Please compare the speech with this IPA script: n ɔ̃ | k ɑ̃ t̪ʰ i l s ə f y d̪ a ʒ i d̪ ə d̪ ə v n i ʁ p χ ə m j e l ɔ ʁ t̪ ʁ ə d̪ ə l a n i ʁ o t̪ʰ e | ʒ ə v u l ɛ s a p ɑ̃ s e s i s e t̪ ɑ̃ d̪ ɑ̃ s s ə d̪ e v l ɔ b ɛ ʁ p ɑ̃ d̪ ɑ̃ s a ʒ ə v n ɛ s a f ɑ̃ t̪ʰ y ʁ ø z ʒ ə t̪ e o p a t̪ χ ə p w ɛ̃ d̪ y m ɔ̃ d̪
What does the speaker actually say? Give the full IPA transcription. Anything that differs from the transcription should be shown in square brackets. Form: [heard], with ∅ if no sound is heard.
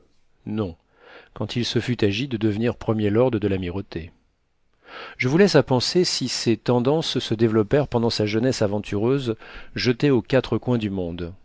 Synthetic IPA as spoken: n ɔ̃ | k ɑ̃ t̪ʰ i l s ə f y [t̪] a ʒ i d̪ ə d̪ ə v n i ʁ p χ ə m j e l ɔ ʁ [d̪] ʁ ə d̪ ə l a [m] i ʁ o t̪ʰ e | ʒ ə v u l ɛ s a p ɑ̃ s e s i s e t̪ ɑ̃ d̪ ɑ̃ s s ə d̪ e v l ɔ [p] ɛ ʁ p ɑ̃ d̪ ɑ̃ s a ʒ ə [∅] n ɛ s a [v] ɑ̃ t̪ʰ y ʁ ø z ʒ ə t̪ e o [k] a t̪ χ ə [k] w ɛ̃ d̪ y m ɔ̃ d̪

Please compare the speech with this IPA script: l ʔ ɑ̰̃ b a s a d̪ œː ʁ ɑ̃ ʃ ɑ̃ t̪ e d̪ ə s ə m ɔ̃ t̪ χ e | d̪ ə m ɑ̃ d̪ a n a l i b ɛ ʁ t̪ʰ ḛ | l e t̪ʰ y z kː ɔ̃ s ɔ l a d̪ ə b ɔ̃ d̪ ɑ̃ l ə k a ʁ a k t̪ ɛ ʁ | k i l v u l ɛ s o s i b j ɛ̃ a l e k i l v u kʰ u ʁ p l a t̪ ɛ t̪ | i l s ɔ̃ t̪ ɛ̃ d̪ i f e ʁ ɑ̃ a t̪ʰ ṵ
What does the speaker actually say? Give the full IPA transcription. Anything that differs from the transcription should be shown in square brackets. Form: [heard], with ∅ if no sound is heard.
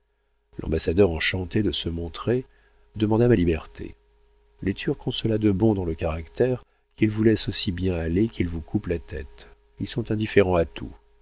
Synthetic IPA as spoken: l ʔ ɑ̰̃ b a s a d̪ [œ] ʁ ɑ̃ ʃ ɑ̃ t̪ e d̪ ə s ə m ɔ̃ t̪ χ e | d̪ ə m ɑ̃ d̪ a [m] a l i b ɛ ʁ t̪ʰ ḛ | l e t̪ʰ y [ʁ] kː ɔ̃ s ɔ l a d̪ ə b ɔ̃ d̪ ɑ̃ l ə k a ʁ a k t̪ ɛ ʁ | k i l v u l ɛ s o s i b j ɛ̃ a l e k i l v u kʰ u [∅] p l a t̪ ɛ t̪ | i l s ɔ̃ t̪ ɛ̃ d̪ i f e ʁ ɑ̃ a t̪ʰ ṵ

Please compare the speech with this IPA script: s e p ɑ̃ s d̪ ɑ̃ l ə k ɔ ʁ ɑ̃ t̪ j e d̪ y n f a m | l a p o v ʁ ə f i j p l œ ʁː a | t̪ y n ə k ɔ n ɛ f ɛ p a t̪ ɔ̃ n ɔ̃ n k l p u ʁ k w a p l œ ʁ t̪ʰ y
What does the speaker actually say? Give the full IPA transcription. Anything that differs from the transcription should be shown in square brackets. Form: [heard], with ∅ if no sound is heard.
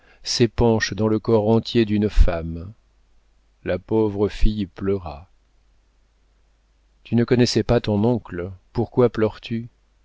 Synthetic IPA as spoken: s e p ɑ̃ [ʃ] d̪ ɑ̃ l ə k ɔ ʁ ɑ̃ t̪ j e d̪ y n f a m | l a p o v ʁ ə f i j p l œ [ʁ] a | t̪ y n ə k ɔ n ɛ [s] ɛ p a t̪ ɔ̃ n ɔ̃ [∅] k l p u ʁ k w a p l œ ʁ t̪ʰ y

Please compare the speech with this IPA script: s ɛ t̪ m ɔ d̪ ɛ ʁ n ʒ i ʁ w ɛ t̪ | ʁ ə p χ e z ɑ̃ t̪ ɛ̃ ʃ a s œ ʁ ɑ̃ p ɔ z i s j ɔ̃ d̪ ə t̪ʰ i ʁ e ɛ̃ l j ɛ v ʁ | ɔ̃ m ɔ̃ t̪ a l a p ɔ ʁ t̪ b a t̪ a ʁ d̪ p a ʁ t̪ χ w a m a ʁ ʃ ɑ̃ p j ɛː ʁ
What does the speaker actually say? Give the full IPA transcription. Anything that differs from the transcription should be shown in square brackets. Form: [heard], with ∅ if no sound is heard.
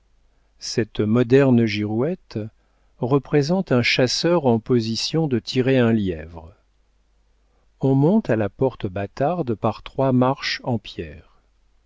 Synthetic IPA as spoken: s ɛ t̪ m ɔ d̪ ɛ ʁ n ʒ i ʁ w ɛ t̪ | ʁ ə p χ e z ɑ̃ t̪ ɛ̃ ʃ a s œ ʁ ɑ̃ p ɔ z i s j ɔ̃ d̪ ə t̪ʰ i ʁ e ɛ̃ l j ɛ v ʁ | ɔ̃ m ɔ̃ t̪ a l a p ɔ ʁ t̪ b a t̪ a ʁ d̪ p a ʁ t̪ χ w a m a ʁ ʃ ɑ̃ p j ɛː ʁ

